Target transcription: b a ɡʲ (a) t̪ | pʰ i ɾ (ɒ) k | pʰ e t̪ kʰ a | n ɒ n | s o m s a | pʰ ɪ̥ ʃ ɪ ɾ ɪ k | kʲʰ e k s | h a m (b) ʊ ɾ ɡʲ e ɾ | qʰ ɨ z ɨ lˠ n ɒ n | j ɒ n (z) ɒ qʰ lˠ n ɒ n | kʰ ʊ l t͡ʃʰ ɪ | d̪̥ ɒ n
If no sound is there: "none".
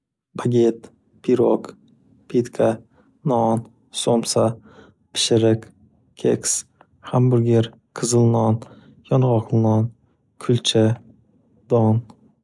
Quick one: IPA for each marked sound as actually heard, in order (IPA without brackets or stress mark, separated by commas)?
e, o, b, ʁ